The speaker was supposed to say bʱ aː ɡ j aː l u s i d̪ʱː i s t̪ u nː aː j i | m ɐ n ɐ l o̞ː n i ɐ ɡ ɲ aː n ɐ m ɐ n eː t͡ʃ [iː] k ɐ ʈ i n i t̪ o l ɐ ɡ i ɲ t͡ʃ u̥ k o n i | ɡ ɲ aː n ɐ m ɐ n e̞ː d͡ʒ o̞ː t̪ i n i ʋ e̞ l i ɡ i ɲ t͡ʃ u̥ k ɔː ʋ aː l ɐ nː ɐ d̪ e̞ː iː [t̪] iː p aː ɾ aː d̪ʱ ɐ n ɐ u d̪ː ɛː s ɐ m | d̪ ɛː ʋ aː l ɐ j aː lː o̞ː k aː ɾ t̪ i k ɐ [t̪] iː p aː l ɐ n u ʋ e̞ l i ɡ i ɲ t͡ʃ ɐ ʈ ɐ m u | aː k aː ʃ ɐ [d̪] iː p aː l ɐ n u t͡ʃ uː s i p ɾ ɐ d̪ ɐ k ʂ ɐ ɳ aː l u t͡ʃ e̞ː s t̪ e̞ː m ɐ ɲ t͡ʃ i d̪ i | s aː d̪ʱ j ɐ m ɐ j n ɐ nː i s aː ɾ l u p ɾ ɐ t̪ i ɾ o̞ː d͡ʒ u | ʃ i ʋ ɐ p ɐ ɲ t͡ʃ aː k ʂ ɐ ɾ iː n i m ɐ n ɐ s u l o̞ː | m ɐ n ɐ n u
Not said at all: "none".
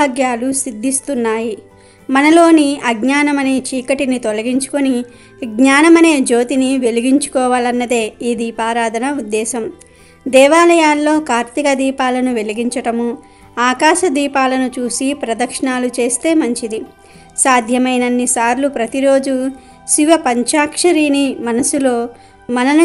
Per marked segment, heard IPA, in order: iː, d̪, d̪, d̪

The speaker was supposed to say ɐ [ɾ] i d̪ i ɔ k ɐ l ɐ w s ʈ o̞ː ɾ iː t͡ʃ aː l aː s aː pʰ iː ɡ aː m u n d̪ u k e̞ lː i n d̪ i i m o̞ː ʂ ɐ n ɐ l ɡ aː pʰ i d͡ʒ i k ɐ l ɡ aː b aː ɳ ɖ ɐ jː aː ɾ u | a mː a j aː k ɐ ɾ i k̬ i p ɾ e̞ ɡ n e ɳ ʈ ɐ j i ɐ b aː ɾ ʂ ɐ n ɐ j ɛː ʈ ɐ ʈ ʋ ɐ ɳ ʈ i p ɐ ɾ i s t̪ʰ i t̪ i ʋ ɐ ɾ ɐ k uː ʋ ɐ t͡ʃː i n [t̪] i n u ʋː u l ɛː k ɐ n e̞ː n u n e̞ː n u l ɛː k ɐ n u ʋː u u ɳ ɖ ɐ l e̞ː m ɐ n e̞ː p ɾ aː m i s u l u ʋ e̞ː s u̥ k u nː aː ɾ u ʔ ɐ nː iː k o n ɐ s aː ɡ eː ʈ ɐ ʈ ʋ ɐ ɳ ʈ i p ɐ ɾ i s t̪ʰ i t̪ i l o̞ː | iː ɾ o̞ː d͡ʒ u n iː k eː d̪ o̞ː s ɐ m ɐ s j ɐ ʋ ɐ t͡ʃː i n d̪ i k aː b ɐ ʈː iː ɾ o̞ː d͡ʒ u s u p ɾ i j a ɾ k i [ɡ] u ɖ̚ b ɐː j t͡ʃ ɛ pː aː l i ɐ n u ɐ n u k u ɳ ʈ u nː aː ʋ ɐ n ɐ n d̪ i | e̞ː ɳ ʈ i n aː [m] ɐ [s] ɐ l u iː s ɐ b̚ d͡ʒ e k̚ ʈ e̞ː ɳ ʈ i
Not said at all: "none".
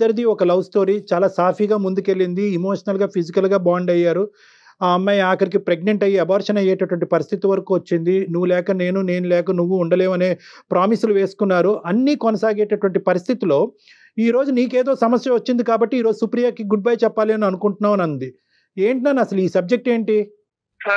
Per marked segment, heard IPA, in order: ɾ, d̪, ɡ, n, s

